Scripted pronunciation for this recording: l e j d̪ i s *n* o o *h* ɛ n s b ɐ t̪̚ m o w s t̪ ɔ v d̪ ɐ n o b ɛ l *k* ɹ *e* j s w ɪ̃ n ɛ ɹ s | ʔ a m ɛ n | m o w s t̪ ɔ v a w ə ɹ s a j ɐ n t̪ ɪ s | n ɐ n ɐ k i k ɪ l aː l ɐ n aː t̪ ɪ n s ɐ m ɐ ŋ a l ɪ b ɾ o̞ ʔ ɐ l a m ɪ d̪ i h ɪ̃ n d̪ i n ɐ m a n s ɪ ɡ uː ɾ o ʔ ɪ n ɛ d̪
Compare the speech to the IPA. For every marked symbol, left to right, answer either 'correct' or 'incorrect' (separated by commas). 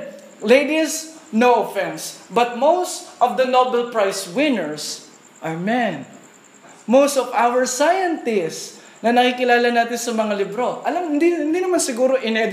correct, incorrect, incorrect, incorrect